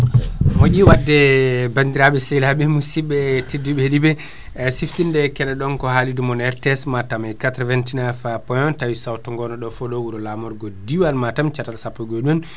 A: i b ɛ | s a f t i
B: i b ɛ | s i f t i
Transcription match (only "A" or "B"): B